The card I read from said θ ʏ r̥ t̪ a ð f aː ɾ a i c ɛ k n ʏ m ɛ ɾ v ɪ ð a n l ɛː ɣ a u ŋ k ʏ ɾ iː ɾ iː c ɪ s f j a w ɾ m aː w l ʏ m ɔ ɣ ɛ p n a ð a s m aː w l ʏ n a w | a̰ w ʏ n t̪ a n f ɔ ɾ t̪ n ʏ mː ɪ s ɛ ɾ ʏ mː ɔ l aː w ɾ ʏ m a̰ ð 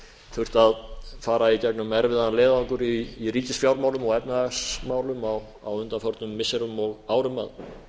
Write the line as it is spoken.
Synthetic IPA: θ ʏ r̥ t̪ a ð f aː ɾ a i c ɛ k n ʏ m ɛ ɾ v ɪ ð a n l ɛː ð a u ŋ k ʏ ɾ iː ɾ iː c ɪ s f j a w ɾ m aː w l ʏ m ɔ ɣ ɛ p n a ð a s m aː w l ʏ m a w | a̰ w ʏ n t̪ a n f ɔ ɾ t̪ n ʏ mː ɪ s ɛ ɾ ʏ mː ɔ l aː w ɾ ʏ m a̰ ð